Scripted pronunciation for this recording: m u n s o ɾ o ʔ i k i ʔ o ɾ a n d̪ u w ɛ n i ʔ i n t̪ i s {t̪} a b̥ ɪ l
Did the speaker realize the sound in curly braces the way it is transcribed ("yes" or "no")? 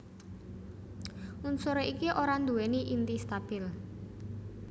yes